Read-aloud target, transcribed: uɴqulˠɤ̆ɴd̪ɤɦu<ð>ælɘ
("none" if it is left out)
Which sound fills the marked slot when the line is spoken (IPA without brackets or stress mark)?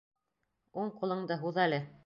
ð